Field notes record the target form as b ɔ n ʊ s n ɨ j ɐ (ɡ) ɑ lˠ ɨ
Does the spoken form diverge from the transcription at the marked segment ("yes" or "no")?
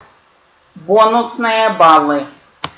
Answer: yes